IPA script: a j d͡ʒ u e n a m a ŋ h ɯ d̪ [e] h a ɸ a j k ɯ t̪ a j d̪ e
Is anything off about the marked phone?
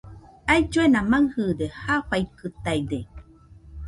no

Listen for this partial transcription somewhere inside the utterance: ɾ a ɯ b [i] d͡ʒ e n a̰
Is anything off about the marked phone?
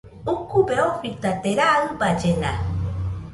yes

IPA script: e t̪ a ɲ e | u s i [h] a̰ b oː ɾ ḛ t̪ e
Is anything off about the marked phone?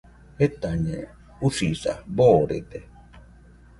yes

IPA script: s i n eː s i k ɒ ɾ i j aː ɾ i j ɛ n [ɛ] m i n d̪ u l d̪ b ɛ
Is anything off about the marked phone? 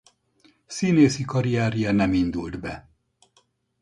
no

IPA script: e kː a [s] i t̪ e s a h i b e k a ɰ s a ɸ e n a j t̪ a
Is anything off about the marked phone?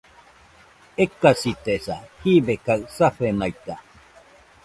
no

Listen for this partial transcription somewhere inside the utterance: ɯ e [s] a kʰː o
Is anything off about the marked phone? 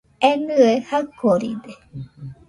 yes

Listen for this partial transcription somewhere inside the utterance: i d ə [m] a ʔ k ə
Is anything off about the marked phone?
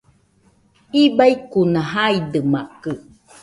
no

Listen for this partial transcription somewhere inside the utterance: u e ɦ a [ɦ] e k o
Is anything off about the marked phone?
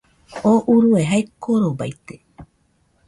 yes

